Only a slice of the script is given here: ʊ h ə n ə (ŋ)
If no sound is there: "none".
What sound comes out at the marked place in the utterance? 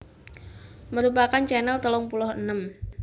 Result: m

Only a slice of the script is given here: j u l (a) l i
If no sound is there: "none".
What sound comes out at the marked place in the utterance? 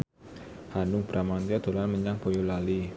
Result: a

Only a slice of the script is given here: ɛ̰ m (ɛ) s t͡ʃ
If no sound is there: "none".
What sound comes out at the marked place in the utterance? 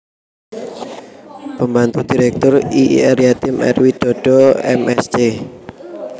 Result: ɛ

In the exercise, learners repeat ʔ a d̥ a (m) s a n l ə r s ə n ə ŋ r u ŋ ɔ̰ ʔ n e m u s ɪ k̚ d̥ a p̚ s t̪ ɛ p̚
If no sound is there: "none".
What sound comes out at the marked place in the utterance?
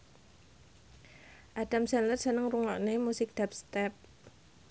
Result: m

